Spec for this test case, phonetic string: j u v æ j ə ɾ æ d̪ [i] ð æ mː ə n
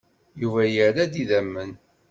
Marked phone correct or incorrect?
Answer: correct